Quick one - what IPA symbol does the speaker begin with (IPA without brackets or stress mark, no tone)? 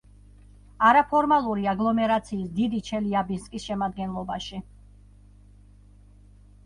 a